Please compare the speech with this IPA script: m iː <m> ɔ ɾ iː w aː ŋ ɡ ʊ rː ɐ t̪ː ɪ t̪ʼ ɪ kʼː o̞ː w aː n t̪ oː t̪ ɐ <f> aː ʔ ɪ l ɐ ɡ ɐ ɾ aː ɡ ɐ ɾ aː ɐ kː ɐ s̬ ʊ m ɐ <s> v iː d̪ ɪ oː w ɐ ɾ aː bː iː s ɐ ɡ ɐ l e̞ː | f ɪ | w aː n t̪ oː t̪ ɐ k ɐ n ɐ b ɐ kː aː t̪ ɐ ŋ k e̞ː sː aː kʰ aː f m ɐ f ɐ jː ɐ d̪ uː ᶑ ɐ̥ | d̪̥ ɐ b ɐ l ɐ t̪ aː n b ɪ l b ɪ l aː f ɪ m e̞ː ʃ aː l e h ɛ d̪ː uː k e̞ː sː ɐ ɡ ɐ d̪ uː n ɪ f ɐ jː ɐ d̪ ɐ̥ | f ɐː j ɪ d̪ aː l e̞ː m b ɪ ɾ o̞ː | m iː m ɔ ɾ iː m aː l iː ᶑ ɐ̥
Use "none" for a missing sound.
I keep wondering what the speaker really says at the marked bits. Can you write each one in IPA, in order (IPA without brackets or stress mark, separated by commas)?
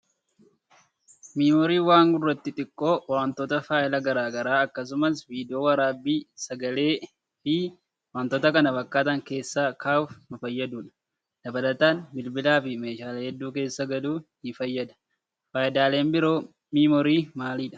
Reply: m, f, s